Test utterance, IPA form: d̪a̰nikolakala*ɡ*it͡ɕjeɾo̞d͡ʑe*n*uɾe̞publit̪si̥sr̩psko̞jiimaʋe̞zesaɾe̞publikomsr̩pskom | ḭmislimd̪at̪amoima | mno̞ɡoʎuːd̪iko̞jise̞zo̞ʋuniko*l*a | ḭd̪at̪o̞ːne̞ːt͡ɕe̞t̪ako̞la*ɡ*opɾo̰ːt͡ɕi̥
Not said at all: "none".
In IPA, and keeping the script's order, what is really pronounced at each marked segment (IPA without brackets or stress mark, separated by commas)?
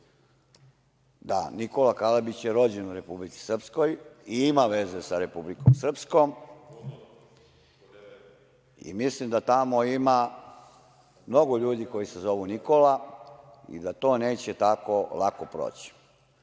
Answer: b, n, l, k